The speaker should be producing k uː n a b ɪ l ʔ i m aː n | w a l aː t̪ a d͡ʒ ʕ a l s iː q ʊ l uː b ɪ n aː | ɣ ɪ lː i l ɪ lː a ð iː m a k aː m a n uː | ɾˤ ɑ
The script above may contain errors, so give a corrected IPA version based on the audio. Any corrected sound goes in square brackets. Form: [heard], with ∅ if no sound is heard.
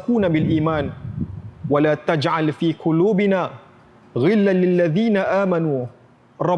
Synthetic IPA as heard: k uː n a b ɪ l ʔ [iː] m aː n | w a l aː t̪ a d͡ʒ ʕ a l [f] iː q ʊ l uː b ɪ n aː | ɣ ɪ lː [a] l ɪ lː a ð iː [n] a [ʔ] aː m a n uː | ɾˤ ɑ